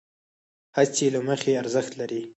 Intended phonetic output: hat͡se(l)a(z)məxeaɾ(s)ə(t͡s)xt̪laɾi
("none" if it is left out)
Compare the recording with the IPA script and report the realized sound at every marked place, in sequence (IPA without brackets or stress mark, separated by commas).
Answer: l, none, z, none